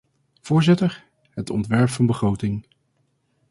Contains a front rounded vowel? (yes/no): no